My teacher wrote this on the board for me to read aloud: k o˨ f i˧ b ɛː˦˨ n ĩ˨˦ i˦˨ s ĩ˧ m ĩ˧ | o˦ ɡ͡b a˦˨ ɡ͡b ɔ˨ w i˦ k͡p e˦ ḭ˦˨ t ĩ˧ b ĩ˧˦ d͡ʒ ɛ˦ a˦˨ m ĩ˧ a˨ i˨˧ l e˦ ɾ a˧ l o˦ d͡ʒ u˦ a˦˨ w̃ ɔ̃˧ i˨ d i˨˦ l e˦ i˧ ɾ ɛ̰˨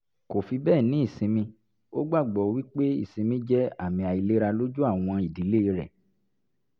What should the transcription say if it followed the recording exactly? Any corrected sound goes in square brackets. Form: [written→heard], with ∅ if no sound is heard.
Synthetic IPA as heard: k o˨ f i˧ b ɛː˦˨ n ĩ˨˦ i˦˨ s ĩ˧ m ĩ˧ | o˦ ɡ͡b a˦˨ ɡ͡b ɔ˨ w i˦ k͡p e˦ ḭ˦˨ [t→s] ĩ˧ [b→m] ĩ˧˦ d͡ʒ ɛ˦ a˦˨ m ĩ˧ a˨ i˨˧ l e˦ ɾ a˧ l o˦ d͡ʒ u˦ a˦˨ w̃ ɔ̃˧ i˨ d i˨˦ l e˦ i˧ ɾ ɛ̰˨